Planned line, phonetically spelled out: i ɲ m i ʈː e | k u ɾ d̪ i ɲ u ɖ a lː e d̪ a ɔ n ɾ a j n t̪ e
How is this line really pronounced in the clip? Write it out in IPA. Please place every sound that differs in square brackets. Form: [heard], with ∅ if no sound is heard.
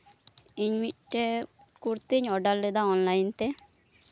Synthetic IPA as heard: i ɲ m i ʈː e | k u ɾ [t̪] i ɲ [ɔ] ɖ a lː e d̪ a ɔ n [l] a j n t̪ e